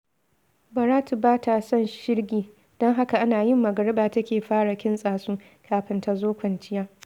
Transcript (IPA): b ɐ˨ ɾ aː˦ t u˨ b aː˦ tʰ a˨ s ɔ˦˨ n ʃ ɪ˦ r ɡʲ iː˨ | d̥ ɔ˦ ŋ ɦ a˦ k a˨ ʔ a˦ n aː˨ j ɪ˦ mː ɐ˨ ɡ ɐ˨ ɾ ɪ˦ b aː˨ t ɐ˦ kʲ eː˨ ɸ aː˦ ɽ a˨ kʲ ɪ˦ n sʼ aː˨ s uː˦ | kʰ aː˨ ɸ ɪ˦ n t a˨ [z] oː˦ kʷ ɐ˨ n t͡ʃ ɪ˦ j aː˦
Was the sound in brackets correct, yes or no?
yes